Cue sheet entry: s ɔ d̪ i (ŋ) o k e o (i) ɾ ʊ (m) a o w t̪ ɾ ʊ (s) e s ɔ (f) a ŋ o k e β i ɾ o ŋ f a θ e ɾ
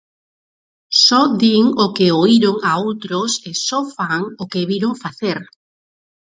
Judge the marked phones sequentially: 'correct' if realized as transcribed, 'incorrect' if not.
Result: correct, correct, incorrect: ŋ, correct, correct

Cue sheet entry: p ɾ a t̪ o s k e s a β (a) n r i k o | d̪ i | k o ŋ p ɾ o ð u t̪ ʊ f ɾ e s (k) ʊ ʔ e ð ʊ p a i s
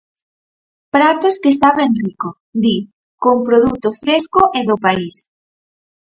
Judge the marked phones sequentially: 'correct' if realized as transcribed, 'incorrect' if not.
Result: incorrect: e, correct

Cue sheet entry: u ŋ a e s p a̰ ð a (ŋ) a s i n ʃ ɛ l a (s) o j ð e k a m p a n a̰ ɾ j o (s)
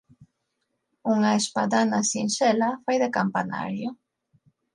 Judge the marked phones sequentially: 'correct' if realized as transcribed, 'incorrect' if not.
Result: incorrect: n, incorrect: f, incorrect: none

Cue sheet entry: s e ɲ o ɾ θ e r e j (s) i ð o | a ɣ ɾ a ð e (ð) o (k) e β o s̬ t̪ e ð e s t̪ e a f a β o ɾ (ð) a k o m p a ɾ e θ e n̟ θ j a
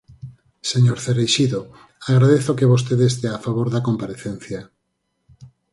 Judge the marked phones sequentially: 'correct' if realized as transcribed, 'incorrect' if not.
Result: incorrect: ʃ, incorrect: θ, correct, correct

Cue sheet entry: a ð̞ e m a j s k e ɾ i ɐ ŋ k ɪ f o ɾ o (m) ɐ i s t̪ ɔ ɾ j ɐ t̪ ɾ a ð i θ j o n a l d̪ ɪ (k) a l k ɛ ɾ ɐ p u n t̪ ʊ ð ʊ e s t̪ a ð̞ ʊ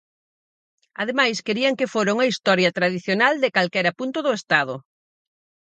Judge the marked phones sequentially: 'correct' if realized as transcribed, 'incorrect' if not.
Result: incorrect: ŋ, correct

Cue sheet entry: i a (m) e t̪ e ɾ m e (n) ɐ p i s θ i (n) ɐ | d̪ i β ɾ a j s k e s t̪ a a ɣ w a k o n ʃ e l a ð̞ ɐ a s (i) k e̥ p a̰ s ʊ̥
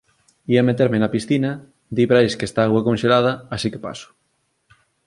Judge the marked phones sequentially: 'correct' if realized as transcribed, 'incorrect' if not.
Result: correct, correct, correct, correct

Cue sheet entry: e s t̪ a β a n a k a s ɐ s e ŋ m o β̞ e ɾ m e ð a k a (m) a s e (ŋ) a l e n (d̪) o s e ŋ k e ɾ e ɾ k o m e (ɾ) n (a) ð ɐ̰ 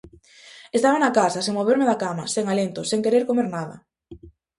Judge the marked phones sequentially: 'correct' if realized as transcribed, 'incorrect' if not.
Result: correct, correct, incorrect: t̪, correct, correct

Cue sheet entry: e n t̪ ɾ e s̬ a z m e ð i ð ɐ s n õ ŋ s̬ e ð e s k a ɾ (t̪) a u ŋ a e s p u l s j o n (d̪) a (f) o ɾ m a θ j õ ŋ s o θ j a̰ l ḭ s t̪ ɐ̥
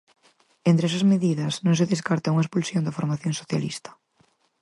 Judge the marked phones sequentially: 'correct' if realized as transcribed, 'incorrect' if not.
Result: correct, correct, correct

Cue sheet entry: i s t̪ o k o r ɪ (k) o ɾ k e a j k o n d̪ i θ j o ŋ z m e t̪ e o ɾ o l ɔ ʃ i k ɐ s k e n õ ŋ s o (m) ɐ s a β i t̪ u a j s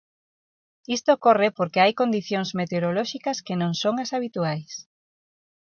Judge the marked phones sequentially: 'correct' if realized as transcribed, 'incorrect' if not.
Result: incorrect: p, incorrect: ŋ

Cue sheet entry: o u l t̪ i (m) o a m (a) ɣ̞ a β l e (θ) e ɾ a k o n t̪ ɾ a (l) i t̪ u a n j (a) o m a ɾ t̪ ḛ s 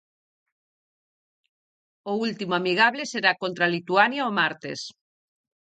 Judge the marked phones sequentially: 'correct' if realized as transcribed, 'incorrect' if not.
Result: correct, incorrect: i, incorrect: s, correct, correct

